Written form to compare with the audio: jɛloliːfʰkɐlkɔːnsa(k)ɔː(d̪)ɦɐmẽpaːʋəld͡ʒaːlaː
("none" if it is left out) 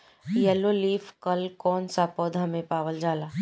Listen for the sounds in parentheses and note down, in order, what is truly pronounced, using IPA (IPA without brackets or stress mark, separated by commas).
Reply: p, d̪